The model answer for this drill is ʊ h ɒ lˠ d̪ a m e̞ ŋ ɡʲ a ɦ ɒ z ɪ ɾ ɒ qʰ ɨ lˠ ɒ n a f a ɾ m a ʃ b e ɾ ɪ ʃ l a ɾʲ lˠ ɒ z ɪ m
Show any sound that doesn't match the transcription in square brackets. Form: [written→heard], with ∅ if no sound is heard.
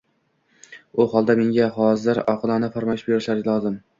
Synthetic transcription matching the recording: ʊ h ɒ lˠ d̪ a m e̞ ŋ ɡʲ a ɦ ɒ z ɪ ɾ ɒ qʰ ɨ lˠ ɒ n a f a ɾ m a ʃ b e ɾ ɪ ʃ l a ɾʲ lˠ ɒ z ɪ m